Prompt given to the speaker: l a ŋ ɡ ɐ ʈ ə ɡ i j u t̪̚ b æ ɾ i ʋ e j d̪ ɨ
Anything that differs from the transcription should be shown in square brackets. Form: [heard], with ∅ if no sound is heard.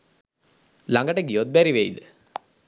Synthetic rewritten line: l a ŋ ɡ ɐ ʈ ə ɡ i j [o] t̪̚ b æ ɾ i ʋ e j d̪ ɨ